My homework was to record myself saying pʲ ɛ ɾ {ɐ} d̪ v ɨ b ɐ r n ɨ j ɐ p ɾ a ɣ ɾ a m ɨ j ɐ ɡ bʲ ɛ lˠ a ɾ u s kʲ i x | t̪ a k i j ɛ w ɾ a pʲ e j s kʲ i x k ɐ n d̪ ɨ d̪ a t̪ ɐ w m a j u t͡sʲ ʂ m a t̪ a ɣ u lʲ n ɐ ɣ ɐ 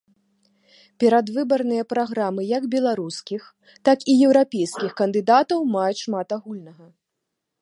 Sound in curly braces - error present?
yes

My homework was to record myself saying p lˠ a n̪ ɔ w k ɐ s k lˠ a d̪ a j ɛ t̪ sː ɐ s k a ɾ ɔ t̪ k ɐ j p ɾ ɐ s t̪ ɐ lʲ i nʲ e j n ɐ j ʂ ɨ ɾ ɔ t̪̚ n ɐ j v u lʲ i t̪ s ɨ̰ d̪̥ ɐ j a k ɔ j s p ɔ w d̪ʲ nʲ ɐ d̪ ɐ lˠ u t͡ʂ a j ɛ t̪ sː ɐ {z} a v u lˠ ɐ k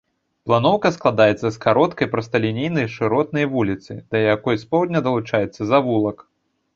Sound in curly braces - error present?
no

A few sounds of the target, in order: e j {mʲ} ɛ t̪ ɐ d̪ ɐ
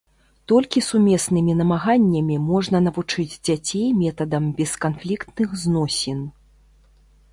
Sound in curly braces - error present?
no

